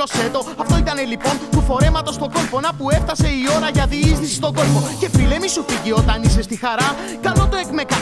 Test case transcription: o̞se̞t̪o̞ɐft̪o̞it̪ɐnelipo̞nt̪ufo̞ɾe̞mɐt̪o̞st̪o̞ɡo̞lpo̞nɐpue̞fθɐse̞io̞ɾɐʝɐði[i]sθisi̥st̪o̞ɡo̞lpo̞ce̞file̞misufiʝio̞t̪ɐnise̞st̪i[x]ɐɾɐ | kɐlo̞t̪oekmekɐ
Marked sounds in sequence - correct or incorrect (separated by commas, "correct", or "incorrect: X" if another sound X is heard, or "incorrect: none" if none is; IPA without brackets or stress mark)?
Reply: correct, correct